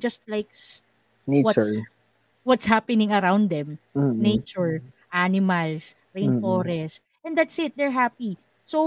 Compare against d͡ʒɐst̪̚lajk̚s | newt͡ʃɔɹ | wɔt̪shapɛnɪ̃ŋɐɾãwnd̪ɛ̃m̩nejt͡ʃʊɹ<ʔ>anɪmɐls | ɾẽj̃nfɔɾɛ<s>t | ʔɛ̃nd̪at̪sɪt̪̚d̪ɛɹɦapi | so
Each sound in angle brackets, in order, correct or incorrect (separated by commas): correct, correct